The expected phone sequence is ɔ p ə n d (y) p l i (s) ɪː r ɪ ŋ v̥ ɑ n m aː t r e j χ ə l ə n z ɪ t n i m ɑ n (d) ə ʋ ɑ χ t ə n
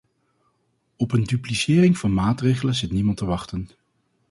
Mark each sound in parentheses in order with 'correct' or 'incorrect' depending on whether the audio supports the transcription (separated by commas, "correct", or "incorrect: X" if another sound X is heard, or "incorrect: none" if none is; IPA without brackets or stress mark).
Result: correct, correct, incorrect: t